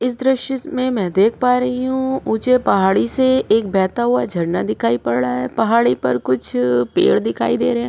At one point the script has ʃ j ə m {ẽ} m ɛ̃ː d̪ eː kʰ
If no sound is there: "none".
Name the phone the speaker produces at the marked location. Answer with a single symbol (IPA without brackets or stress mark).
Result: ẽ